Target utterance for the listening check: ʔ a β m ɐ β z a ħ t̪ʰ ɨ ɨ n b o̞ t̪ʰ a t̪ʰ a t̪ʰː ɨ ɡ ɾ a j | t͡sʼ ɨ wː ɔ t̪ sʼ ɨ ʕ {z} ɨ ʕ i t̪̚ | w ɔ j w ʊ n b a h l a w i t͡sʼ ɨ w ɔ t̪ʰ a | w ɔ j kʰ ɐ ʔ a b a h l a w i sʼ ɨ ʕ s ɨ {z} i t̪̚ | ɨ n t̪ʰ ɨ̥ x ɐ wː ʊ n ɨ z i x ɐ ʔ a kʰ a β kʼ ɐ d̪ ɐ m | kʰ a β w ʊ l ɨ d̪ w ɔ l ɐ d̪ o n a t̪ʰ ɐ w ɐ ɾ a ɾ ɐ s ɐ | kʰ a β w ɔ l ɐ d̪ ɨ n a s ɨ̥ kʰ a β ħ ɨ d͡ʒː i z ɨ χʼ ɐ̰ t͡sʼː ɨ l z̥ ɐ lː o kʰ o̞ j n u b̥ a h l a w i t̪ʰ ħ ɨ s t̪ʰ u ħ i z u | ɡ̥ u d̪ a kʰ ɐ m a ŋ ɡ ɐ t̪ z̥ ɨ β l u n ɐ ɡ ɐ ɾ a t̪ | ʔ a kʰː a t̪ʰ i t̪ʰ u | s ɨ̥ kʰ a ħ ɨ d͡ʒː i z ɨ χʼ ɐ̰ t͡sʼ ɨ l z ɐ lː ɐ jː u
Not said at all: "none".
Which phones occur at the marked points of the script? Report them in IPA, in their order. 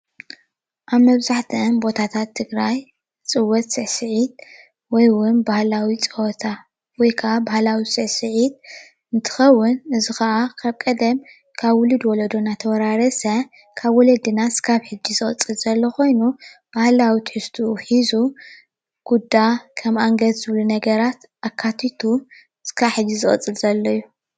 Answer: s, ʕ

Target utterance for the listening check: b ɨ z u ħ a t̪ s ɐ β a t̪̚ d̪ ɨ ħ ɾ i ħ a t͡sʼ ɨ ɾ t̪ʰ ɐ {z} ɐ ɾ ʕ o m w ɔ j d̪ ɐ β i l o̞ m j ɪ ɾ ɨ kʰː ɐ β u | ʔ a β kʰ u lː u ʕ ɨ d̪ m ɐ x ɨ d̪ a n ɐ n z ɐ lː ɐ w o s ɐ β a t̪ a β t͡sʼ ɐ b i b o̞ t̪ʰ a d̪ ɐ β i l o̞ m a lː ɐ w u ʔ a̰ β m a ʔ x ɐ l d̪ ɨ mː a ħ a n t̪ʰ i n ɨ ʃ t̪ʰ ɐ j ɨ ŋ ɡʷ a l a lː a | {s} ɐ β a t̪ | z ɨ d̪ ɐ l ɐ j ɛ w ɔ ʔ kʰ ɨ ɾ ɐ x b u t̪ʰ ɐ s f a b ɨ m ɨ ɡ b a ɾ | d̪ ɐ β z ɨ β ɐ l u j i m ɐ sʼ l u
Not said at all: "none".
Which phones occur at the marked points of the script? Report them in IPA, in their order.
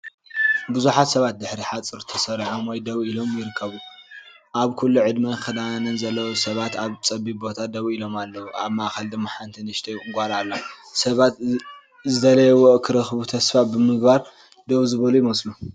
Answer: s, s

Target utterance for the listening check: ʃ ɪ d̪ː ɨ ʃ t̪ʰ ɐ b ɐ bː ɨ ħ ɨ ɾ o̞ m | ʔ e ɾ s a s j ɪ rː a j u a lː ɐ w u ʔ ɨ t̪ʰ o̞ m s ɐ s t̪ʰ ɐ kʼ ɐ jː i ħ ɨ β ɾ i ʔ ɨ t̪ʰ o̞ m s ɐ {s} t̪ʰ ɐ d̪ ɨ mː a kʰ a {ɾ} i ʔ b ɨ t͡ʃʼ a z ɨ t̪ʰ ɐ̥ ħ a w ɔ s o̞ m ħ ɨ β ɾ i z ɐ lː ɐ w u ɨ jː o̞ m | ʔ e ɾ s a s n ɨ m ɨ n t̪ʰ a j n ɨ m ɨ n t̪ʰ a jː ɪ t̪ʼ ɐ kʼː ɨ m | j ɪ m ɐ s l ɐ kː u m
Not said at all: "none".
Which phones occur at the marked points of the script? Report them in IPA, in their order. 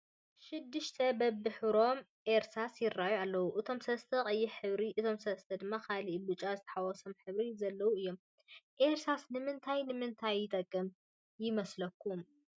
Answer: s, l

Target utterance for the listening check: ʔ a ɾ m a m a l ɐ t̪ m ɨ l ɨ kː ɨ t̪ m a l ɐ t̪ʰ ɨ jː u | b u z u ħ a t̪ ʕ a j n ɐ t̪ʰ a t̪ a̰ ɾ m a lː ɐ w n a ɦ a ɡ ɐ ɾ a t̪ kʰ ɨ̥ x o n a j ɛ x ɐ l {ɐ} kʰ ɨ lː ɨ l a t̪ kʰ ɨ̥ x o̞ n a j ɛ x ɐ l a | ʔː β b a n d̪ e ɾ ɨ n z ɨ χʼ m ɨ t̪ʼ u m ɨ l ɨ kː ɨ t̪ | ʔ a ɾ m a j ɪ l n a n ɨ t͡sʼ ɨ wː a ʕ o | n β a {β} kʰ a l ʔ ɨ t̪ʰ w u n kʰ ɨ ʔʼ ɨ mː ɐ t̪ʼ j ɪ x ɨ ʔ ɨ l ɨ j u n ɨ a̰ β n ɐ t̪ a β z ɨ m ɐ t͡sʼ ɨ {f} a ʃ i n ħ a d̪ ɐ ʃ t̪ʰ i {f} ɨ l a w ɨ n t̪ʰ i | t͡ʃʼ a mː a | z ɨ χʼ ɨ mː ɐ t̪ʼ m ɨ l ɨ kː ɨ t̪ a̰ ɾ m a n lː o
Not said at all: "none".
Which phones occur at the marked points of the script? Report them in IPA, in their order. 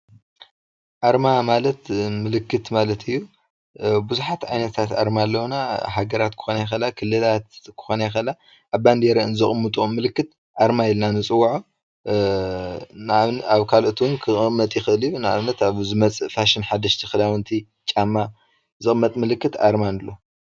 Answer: a, β, f, x

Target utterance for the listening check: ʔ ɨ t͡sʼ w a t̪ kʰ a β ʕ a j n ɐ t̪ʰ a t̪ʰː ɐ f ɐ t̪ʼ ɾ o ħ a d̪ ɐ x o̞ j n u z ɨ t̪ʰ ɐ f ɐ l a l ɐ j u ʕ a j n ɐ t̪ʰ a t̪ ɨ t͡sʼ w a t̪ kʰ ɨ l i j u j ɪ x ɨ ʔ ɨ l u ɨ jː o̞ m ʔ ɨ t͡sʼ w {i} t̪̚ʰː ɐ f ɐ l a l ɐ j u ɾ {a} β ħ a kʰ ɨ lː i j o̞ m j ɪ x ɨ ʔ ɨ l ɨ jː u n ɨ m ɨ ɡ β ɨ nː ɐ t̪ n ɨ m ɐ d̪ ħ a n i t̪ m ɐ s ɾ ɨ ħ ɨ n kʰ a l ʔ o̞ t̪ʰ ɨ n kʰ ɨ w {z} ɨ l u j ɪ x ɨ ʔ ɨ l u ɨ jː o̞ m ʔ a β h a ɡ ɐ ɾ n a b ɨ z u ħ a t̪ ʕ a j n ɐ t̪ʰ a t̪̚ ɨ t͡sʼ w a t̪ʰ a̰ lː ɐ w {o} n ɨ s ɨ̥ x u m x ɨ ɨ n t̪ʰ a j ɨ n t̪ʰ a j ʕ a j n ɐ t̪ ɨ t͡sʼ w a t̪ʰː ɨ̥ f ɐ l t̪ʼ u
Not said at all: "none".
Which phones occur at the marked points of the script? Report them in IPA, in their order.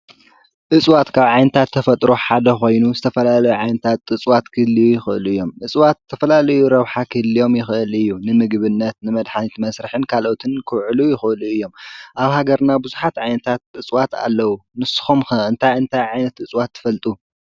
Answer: a, ɐ, ʕ, u

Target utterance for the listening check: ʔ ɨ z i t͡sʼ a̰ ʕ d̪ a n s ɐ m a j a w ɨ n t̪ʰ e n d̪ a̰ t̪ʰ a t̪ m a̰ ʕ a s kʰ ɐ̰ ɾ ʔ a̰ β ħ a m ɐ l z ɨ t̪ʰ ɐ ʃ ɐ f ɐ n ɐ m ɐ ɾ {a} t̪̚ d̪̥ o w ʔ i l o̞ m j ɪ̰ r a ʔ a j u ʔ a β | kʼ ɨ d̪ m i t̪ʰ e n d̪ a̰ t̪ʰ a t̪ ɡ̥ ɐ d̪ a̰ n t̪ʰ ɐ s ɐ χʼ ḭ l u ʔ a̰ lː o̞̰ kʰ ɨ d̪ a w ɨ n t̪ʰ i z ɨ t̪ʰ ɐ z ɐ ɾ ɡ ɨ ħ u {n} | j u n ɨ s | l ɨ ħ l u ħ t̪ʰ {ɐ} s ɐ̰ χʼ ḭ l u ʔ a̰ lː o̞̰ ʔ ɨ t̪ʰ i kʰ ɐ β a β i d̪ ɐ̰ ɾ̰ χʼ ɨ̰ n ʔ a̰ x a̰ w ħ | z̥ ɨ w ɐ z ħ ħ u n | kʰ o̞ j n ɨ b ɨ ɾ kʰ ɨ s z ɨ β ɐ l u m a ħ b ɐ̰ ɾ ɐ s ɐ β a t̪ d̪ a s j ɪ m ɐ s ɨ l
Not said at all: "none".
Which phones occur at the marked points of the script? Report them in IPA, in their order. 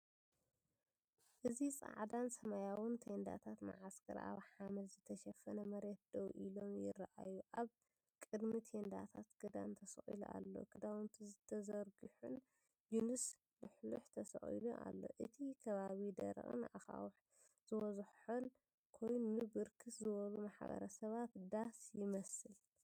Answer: e, n, ɐ

